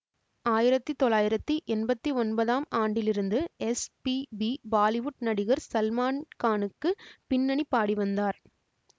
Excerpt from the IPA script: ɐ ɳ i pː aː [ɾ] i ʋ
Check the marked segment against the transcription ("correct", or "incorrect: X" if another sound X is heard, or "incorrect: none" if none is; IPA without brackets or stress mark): incorrect: ɽ